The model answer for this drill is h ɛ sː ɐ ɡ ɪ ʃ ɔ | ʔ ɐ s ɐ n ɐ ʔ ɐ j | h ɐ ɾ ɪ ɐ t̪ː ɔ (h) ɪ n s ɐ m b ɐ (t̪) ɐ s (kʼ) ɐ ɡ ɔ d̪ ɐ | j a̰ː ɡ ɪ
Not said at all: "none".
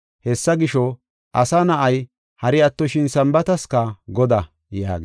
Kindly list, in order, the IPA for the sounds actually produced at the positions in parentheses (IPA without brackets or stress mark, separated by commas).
ʃ, t̪, k